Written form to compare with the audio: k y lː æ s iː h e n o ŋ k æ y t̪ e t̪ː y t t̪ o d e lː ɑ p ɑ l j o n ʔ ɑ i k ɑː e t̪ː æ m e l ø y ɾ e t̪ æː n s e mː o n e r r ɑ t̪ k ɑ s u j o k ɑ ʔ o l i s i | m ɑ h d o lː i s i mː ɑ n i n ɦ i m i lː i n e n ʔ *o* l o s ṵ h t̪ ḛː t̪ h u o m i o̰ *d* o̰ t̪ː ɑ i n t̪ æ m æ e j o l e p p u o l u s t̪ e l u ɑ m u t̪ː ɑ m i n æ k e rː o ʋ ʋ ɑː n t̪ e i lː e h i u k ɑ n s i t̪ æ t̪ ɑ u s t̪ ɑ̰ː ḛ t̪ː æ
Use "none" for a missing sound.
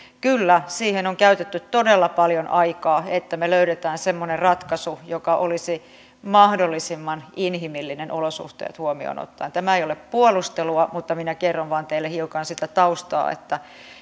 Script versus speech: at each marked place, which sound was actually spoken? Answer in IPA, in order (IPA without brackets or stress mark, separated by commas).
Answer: o, n